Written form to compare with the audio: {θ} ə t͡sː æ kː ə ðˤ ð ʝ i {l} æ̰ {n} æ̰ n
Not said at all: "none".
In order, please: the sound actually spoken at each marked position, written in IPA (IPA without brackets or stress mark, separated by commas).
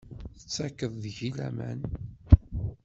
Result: θ, l, m